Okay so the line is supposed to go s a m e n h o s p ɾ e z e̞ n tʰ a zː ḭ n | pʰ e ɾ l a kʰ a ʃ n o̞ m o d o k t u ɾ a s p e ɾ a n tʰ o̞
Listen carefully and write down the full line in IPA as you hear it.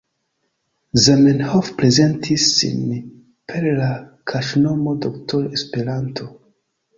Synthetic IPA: z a m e n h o f p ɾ e z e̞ n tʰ i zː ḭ n | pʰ e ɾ l a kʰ a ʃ n o̞ m o d o k t o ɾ e s p e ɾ a n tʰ o̞